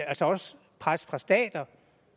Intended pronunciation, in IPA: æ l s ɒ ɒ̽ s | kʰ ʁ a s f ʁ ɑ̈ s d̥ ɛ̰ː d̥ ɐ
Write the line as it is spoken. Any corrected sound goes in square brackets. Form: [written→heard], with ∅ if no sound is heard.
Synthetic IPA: æ l s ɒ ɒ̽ s | [kʰ→pʰ] ʁ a s f ʁ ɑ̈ s d̥ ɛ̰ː d̥ ɐ